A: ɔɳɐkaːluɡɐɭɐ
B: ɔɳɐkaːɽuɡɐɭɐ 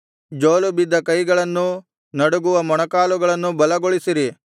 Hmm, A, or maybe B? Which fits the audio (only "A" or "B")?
A